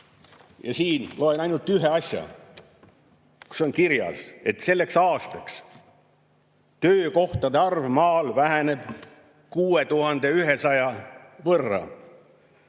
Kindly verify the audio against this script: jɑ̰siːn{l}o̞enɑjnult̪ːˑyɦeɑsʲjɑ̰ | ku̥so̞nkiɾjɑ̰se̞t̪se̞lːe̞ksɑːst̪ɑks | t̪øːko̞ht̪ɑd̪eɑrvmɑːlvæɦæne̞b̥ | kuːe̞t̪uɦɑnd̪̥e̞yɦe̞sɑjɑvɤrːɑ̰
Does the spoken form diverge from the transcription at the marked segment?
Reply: no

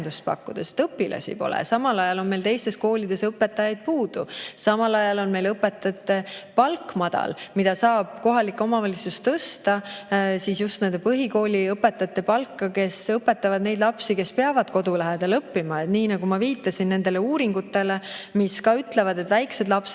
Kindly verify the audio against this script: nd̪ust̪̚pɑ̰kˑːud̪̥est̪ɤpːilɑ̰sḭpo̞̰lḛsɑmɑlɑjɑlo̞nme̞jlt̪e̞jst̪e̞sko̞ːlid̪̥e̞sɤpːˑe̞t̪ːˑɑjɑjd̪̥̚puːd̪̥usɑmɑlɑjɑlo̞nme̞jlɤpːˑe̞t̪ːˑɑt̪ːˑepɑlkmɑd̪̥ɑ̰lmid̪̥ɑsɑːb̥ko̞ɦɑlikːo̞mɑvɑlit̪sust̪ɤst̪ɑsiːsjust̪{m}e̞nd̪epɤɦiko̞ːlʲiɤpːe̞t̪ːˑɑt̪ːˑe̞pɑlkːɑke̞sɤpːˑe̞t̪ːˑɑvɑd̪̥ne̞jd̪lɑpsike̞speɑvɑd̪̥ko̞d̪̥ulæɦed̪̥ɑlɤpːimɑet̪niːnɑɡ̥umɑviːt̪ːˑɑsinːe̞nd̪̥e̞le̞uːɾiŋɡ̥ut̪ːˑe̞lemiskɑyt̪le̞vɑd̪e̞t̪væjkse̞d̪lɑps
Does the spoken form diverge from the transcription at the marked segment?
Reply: yes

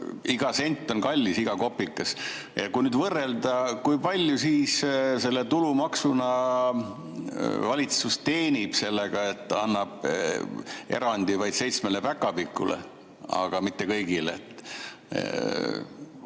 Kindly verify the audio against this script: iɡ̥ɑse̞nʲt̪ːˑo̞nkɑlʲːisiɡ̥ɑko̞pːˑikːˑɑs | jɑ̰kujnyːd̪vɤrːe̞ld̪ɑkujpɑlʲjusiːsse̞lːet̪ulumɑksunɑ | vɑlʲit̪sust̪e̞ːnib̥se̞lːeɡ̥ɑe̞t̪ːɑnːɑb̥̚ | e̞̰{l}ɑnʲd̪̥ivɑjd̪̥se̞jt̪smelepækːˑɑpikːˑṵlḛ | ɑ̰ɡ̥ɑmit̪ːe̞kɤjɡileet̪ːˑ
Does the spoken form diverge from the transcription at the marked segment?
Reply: yes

